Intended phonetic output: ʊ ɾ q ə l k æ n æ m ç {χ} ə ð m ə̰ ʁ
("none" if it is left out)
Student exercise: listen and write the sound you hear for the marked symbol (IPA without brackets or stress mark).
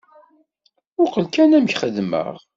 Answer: χ